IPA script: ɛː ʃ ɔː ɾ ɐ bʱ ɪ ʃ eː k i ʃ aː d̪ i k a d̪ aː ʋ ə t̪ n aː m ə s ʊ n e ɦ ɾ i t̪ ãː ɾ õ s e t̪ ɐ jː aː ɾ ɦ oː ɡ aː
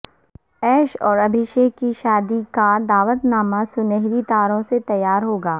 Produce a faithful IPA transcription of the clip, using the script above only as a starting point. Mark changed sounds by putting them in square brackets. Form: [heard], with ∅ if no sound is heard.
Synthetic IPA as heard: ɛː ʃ ɔː ɾ ɐ bʱ ɪ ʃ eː k i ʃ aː d̪ i k a d̪ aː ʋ ə t̪ n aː m [a] s ʊ n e ɦ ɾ i t̪ [aː] ɾ õ s e t̪ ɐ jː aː ɾ ɦ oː ɡ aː